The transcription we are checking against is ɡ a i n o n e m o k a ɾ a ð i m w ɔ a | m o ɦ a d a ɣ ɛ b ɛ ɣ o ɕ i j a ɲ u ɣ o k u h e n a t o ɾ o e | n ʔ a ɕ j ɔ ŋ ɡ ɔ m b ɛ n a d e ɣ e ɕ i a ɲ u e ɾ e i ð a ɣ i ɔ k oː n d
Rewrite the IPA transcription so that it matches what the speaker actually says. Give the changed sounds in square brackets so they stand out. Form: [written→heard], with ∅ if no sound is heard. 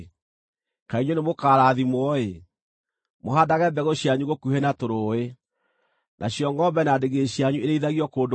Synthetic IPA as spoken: [ɡ→k] a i [n→ɲ] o n e m o k a ɾ a ð i m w ɔ [a→e] | m o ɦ a d a ɣ ɛ b ɛ ɣ o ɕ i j a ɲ u ɣ o k u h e n a t o ɾ o e | n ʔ a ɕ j ɔ ŋ ɡ ɔ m b ɛ n a d e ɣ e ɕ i a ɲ u e ɾ e i ð a ɣ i ɔ k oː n d

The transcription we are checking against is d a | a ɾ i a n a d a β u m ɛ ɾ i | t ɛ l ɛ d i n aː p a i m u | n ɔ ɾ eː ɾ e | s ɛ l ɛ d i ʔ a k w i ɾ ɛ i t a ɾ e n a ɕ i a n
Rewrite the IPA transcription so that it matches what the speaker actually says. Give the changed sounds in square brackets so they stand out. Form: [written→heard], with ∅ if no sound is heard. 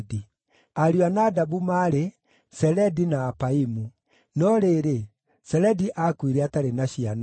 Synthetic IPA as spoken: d [a→i] | a ɾ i a n a d a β u m [ɛ→a] ɾ [i→e] | [t→s] ɛ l ɛ d i n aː p a i m u | n ɔ ɾ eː ɾ e | s ɛ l ɛ d i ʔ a k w i ɾ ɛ [i→a] t a ɾ e n a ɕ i a n

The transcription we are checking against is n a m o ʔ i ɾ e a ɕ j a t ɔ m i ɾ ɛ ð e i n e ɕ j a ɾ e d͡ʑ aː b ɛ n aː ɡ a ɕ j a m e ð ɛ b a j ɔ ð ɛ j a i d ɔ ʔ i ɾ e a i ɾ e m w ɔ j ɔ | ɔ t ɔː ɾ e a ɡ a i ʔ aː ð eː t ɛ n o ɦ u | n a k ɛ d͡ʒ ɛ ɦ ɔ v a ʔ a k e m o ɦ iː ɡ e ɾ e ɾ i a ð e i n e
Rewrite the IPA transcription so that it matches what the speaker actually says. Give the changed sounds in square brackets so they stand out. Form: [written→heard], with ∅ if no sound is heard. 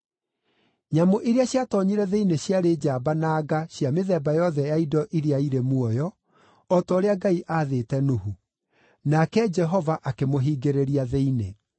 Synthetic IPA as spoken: [n→ɲ] a m o ʔ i ɾ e a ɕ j a t ɔ [m→ɲ] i ɾ ɛ ð e i n e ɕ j a ɾ e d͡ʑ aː b [ɛ→a] n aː ɡ a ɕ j a m e ð ɛ b a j ɔ ð ɛ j a i d ɔ ʔ i ɾ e a i ɾ e m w ɔ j ɔ | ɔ t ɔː ɾ e a ɡ a i ʔ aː ð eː t ɛ n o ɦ u | n a k ɛ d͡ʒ ɛ ɦ ɔ v a ʔ a k e m o ɦ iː ɡ e ɾ e ɾ i a ð e i n e

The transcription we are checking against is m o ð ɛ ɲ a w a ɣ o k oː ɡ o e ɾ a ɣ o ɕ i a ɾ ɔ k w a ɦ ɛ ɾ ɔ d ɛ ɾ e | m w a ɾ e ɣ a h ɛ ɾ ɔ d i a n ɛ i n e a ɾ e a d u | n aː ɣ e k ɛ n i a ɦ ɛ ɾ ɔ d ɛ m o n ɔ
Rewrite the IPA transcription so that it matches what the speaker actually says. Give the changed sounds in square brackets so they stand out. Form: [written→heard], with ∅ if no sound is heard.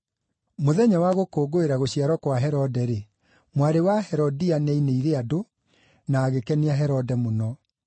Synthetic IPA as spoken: m o ð ɛ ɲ a w a ɣ o k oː ɡ o e ɾ a ɣ o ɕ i a ɾ ɔ k w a ɦ ɛ ɾ ɔ d ɛ ɾ e | m w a ɾ e [ɣ→w] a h ɛ ɾ ɔ d i a n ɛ i n e [a→i] ɾ e a d [u→o] | n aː ɣ e k ɛ n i a ɦ ɛ ɾ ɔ d ɛ m o n ɔ

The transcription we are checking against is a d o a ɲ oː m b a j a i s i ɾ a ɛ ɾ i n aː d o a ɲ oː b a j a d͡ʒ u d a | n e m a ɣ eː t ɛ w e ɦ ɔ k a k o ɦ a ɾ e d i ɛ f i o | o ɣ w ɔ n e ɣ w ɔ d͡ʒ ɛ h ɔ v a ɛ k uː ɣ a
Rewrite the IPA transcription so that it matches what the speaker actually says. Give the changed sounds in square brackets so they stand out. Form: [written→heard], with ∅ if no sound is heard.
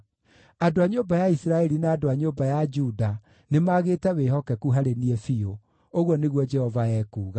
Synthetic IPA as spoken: a d o a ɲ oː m b a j a i s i ɾ a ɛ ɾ i n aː d o a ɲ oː b a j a d͡ʒ u d a | n e m a ɣ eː t ɛ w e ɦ ɔ k [a→ɛ] k [o→u] ɦ a ɾ e [d→n] i ɛ f i o | o ɣ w ɔ n e ɣ w ɔ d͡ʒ ɛ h ɔ v a ɛ k uː ɣ a

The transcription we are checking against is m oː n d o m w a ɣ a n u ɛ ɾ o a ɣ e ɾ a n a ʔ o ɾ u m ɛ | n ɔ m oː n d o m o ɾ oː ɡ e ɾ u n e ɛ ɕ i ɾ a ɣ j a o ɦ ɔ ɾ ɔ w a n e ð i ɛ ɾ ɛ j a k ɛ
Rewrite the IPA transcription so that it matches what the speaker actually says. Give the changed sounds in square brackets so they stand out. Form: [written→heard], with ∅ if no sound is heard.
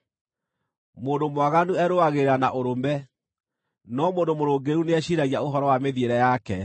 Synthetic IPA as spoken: m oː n d o m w a ɣ a n u ɛ ɾ o a ɣ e ɾ a n a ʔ o ɾ [u→o] m ɛ | n ɔ m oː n d o m o ɾ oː ɡ e ɾ u n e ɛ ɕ i ɾ a ɣ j a o ɦ ɔ ɾ ɔ w a [n→m] e ð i [ɛ→e] ɾ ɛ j a k ɛ

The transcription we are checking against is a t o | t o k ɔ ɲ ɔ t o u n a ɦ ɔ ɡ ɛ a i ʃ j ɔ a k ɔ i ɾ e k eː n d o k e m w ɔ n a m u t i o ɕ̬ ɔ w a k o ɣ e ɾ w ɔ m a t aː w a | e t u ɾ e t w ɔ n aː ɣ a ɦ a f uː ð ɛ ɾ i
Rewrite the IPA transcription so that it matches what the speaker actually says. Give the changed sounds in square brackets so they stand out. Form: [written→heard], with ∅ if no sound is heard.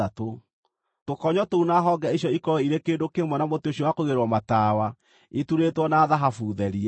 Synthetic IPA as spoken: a t o | t o k ɔ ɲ ɔ t o u n a ɦ ɔ ɡ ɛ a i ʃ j ɔ [a→i] k ɔ i ɾ e k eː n d o k e m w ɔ n a m [u→o] t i o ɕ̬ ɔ w a k o ɣ e ɾ w ɔ m a t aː w a | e t u ɾ e t w ɔ n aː [ɣ→ð] a ɦ a f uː ð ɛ ɾ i

